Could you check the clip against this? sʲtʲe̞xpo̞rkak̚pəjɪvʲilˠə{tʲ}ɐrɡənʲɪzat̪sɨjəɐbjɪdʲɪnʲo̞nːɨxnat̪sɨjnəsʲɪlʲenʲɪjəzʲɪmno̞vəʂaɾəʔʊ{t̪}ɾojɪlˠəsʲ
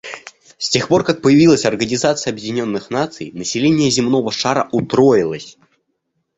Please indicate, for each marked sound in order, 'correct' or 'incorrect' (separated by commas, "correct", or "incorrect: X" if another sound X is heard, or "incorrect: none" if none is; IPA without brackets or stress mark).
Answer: incorrect: sʲ, correct